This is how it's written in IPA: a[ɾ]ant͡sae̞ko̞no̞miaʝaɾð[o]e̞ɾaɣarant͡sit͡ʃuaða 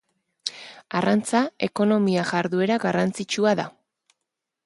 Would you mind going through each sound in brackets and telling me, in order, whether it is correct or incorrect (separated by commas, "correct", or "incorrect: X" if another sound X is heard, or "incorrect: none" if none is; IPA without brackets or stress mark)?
incorrect: r, incorrect: u